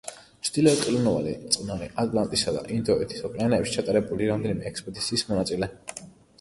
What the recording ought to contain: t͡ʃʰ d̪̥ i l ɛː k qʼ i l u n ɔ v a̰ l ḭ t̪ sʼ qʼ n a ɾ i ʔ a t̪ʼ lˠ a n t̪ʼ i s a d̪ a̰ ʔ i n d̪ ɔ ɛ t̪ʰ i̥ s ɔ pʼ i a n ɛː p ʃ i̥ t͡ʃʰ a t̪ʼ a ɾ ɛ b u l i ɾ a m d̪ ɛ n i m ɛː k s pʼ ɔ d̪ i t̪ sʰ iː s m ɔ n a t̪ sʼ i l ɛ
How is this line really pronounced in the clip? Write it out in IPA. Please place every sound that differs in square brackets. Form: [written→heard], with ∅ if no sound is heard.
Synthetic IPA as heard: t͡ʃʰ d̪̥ i l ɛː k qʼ i l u n ɔ v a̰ l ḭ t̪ sʼ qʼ n a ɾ i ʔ a t̪ʼ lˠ a n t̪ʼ i s a d̪ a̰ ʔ i n d̪ ɔ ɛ t̪ʰ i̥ s ɔ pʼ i a n ɛː p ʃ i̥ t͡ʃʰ a t̪ʼ a ɾ ɛ b u l i ɾ a m d̪ ɛ n i m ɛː k s pʼ ɔ d̪ i t̪ sʰ iː s m ɔ n a t̪ sʼ i l ɛ